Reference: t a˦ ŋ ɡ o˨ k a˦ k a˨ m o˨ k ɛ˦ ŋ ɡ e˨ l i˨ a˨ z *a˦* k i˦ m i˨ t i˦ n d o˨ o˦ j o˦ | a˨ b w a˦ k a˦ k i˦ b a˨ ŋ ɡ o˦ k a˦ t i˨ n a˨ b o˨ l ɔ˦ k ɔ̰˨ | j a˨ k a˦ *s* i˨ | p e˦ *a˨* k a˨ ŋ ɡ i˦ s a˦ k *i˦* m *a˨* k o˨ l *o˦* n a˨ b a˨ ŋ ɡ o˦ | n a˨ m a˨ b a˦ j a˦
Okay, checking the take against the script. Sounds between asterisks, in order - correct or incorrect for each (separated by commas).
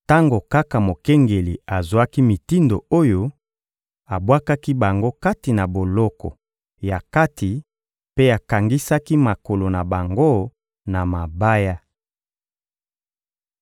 correct, incorrect, correct, correct, correct, incorrect